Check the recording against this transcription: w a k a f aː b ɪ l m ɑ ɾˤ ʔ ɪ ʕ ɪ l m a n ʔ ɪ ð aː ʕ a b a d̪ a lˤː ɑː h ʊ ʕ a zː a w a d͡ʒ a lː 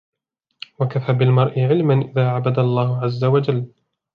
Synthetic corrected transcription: w a k a f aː b ɪ l m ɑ ɾˤ ʔ ɪ ʕ ɪ l m a n ʔ ɪ ð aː ʕ a b a d̪ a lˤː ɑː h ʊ ʕ a zː a w a d͡ʒ a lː